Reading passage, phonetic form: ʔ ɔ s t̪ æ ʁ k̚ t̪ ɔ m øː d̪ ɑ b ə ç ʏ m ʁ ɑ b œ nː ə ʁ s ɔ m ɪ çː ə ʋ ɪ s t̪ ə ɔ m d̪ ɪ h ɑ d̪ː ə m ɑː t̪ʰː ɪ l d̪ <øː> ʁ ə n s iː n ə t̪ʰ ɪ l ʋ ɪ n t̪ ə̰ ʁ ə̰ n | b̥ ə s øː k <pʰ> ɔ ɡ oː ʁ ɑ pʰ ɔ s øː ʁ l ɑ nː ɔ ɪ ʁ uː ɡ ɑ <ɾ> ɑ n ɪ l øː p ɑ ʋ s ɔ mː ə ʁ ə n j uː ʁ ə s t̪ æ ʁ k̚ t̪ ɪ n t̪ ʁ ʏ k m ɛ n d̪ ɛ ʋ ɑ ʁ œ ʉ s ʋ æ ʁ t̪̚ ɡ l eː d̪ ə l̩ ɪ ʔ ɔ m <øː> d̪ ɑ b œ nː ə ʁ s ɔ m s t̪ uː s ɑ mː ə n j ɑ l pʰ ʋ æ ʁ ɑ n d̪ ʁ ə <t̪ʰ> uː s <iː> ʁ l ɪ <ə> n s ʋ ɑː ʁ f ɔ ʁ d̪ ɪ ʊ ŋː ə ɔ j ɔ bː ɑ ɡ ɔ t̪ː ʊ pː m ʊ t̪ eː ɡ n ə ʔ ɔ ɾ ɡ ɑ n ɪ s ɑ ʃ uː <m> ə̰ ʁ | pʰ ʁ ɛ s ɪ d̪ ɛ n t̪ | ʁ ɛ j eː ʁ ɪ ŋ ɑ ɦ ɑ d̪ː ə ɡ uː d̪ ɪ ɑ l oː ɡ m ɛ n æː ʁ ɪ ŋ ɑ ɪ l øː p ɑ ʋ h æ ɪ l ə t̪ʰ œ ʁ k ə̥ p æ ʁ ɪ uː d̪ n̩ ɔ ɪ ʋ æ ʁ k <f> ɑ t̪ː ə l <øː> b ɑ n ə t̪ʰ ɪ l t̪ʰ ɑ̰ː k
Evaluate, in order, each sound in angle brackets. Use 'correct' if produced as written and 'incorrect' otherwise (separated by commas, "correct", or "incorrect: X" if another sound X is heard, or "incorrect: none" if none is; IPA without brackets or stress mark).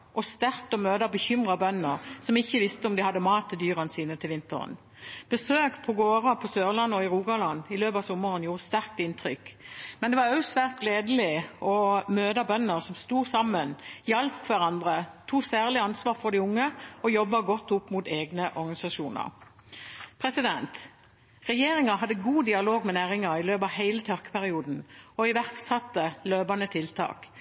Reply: incorrect: yː, correct, incorrect: l, correct, correct, incorrect: æː, incorrect: ɑ, incorrect: n, incorrect: s, correct